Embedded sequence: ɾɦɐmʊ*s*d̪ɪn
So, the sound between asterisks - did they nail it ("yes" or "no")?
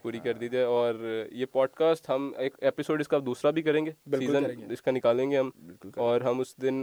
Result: yes